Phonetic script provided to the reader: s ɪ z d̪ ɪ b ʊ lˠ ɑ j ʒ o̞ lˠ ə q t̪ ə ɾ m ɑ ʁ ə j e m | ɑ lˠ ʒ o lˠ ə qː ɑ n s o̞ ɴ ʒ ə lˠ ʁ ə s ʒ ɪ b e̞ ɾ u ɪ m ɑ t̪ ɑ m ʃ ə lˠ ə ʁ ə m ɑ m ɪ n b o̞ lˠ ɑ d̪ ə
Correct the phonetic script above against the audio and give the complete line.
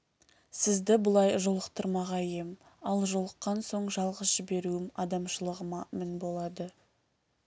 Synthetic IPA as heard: s ɪ z d̪ ɪ b ʊ lˠ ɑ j ʒ o̞ lˠ ə q t̪ ə ɾ m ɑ ʁ ɑ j e m | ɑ lˠ ʒ o lˠ ə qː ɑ n s o̞ ɴ ʒ ɑ lˠ ʁ ə s ʒ ɪ b e̞ ɾ u ɪ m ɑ d̪ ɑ m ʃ ə lˠ ə ʁ ə m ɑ m ɪ n b o̞ lˠ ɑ d̪ ə